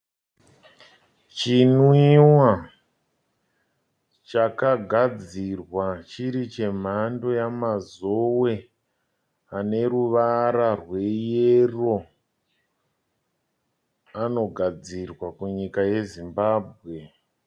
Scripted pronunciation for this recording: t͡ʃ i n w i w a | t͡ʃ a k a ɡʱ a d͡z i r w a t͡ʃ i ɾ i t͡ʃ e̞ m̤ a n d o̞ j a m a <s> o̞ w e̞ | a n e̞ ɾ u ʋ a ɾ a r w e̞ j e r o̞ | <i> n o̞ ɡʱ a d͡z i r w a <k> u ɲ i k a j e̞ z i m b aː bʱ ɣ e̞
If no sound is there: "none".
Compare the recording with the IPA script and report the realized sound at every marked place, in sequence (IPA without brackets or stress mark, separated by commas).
z, a, k